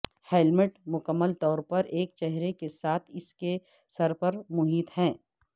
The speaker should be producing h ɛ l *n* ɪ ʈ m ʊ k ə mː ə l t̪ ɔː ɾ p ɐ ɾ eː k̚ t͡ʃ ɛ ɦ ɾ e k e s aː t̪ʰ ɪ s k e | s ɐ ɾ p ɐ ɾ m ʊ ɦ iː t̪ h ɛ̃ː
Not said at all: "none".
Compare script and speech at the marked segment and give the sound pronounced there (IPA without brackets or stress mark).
m